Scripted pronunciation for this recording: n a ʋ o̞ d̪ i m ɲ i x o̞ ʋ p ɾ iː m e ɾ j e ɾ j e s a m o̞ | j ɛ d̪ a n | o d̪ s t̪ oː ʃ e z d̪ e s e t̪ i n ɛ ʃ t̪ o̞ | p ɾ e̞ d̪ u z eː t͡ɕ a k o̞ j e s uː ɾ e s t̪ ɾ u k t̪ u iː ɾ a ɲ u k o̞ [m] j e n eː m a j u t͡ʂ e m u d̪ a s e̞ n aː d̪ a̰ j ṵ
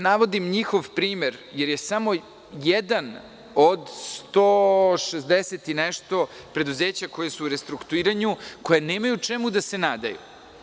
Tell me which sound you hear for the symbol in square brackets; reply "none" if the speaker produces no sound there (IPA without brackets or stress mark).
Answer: none